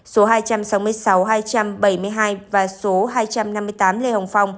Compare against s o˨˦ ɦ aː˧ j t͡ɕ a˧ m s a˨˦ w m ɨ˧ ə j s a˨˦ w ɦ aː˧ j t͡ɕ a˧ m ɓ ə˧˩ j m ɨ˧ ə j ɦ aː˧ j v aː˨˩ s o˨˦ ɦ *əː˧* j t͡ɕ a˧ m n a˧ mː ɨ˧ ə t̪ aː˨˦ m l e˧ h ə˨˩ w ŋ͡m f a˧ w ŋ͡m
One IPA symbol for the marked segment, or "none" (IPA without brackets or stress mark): aː˧